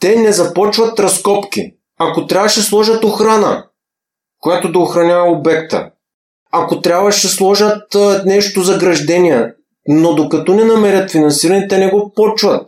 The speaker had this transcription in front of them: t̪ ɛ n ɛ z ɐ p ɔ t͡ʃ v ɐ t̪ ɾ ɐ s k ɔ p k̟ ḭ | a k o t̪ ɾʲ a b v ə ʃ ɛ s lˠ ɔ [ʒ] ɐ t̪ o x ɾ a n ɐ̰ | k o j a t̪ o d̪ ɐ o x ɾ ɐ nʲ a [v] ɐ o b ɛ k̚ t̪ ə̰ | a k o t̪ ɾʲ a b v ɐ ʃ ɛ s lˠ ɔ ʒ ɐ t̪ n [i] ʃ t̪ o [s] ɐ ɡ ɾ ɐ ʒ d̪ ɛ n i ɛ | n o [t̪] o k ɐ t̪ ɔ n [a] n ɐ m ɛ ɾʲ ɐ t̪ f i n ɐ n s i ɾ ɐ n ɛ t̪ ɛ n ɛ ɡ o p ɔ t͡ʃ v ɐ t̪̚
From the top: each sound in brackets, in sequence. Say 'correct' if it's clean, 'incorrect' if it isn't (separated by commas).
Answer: correct, correct, incorrect, incorrect, incorrect, incorrect